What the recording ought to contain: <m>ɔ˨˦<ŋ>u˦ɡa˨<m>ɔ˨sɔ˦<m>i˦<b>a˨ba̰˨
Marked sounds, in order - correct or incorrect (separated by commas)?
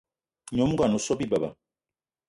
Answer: incorrect, incorrect, incorrect, incorrect, correct